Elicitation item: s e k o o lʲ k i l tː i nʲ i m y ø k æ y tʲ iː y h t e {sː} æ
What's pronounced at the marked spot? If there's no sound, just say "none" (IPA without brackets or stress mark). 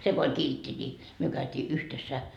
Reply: sː